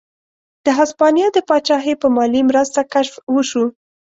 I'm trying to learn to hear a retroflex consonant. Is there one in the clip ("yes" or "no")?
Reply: no